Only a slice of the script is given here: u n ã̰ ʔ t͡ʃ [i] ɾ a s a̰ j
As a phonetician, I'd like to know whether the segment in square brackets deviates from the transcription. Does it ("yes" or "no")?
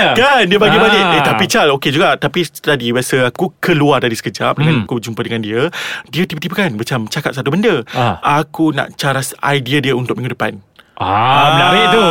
yes